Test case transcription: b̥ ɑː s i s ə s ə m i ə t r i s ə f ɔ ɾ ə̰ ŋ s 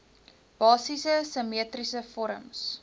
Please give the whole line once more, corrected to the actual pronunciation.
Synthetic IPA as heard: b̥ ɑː s i s ə s ə m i ə t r i s ə f ɔ ɾ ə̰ m s